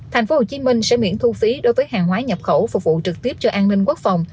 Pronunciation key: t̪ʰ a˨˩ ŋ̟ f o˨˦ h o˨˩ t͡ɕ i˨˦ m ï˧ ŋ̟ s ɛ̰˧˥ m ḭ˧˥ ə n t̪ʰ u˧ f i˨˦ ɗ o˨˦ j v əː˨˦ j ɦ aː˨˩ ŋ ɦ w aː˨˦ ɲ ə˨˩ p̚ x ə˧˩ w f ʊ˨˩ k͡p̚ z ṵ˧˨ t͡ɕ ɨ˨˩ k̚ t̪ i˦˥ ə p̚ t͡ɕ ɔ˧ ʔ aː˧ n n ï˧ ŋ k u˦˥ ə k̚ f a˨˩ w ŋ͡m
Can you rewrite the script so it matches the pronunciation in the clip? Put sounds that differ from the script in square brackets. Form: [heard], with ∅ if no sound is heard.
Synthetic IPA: t̪ʰ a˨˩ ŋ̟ f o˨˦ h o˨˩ t͡ɕ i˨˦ m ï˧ ŋ̟ s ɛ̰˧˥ m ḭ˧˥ ə n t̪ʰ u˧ f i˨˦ ɗ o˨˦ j v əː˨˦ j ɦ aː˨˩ ŋ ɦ w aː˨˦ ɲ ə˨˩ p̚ x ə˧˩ w f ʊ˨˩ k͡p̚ [v] ṵ˧˨ t͡ɕ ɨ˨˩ k̚ t̪ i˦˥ ə p̚ t͡ɕ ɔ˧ ʔ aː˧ n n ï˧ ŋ k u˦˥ ə k̚ f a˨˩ w ŋ͡m